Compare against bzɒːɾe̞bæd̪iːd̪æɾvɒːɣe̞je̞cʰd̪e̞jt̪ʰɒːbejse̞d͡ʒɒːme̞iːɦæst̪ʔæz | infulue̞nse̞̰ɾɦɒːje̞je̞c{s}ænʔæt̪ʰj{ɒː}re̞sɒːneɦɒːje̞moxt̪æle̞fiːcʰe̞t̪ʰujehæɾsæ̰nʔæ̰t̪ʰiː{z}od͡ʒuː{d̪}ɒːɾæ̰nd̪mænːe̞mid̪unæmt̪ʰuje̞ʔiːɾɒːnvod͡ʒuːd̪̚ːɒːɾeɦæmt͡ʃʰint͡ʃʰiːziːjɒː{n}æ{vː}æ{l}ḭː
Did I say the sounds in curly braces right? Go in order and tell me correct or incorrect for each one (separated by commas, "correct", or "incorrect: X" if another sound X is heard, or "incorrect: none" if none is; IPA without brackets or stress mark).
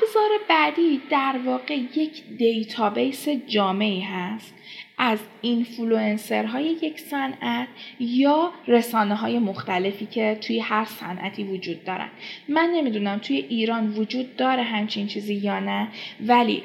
correct, correct, incorrect: v, incorrect: d̪ː, correct, incorrect: v, correct